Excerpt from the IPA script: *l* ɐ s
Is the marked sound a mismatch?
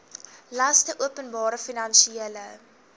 no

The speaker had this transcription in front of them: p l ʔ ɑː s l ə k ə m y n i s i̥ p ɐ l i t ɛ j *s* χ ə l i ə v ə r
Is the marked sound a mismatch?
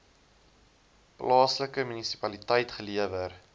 yes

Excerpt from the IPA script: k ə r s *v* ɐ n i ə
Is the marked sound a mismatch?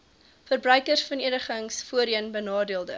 yes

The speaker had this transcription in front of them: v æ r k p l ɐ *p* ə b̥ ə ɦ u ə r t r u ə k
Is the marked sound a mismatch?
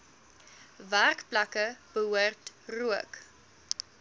yes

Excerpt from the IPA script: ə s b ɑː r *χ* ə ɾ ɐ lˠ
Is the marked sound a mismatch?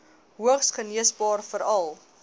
yes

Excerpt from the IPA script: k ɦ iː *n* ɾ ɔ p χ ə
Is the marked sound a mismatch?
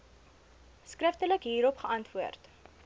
yes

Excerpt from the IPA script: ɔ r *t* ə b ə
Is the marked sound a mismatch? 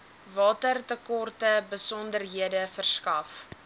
no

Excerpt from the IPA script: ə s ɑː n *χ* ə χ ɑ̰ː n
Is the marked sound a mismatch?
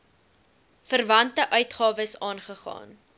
no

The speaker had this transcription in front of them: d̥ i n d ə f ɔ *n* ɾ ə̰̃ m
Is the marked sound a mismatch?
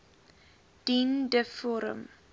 yes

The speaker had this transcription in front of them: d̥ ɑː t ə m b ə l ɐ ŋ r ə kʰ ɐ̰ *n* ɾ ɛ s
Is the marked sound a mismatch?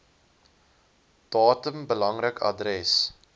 yes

